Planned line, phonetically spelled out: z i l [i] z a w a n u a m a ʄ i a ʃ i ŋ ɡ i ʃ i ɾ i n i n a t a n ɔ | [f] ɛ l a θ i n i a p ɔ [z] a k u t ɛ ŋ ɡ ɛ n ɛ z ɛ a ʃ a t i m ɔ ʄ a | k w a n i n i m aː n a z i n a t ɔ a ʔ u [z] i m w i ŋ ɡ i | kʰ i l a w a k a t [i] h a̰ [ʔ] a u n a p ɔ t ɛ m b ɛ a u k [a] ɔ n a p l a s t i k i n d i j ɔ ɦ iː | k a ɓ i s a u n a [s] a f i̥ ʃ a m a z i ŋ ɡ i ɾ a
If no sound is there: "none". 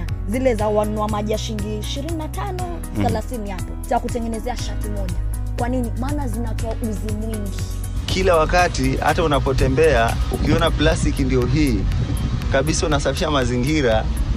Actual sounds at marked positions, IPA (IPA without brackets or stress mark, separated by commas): ɛ, θ, z, z, i, t, i, s